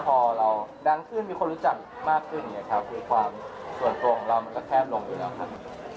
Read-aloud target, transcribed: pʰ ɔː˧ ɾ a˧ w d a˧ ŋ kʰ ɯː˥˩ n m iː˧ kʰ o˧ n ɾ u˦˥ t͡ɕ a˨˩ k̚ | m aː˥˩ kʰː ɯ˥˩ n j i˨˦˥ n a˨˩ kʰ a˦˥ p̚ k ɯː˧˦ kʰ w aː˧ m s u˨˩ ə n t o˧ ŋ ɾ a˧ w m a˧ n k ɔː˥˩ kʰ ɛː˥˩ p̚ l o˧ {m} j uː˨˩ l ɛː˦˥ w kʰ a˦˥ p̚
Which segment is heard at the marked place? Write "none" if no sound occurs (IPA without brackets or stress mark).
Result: ŋ